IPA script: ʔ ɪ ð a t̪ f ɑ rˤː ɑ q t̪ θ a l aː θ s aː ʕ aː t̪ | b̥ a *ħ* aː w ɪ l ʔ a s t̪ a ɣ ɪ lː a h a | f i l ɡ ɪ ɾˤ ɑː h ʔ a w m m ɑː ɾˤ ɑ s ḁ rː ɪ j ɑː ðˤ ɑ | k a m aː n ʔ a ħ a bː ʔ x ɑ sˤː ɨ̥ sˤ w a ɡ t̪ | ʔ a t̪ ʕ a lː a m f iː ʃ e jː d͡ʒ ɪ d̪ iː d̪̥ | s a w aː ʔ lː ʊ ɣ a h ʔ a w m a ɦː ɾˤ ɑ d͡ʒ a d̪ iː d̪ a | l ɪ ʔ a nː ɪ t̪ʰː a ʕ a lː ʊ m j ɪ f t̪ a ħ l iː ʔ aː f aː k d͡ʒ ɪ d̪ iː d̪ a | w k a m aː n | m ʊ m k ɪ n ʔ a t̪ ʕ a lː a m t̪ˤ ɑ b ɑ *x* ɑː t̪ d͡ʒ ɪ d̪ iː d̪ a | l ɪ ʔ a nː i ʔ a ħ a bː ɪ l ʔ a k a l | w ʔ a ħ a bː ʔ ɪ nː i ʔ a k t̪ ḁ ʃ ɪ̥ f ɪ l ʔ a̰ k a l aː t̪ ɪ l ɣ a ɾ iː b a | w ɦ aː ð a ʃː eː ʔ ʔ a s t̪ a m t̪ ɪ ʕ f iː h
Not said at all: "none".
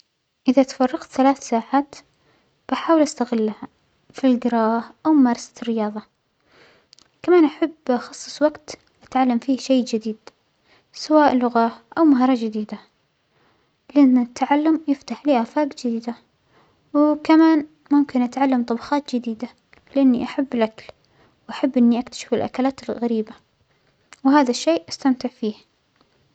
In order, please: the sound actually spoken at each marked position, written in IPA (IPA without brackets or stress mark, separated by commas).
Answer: ħ, x